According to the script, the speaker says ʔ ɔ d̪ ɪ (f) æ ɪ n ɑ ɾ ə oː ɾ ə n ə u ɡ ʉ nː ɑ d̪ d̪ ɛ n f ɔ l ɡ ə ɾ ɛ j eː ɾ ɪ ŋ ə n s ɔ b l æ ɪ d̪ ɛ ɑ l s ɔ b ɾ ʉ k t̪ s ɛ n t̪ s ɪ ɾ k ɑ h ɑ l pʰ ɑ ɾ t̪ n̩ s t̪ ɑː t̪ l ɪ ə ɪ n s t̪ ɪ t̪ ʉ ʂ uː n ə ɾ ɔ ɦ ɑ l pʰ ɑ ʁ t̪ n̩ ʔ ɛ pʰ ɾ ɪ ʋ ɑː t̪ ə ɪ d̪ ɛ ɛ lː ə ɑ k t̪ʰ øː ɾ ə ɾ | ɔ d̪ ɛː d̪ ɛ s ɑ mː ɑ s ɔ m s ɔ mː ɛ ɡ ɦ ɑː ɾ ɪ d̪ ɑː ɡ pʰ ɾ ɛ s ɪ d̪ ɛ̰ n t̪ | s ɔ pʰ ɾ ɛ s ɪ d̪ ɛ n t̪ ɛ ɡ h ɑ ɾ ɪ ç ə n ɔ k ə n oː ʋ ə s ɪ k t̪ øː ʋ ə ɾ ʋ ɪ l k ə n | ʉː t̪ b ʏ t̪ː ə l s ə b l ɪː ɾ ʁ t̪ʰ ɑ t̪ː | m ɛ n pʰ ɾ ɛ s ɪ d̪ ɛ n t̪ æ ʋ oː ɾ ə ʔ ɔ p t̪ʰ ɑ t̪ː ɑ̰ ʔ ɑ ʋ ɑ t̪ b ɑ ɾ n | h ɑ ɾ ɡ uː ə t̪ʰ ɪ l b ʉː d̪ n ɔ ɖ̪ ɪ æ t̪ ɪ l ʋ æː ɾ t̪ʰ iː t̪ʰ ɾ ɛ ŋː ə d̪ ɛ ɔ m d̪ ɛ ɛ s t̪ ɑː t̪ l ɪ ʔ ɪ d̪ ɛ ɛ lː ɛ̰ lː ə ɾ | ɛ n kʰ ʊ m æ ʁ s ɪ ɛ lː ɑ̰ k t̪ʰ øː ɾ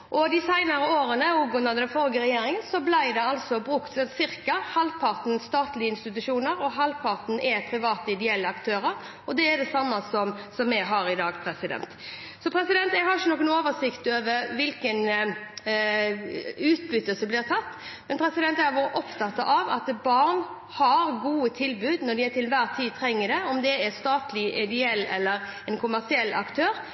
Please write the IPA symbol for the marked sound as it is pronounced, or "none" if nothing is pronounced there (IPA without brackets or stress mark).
s